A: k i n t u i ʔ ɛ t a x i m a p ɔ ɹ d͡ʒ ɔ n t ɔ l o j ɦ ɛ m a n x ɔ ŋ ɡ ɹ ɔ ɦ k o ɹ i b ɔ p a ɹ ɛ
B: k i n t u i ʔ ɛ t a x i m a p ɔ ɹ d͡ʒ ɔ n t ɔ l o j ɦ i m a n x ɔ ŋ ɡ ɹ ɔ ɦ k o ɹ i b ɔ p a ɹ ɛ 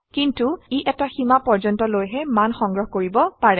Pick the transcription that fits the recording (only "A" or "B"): A